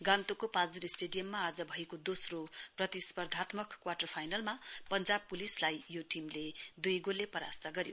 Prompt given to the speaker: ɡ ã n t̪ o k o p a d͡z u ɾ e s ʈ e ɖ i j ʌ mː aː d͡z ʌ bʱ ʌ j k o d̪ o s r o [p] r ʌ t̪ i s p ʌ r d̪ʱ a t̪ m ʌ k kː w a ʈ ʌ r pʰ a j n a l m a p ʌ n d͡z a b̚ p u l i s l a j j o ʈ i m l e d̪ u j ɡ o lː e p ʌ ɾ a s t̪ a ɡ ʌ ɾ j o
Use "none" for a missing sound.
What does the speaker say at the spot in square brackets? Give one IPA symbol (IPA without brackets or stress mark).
p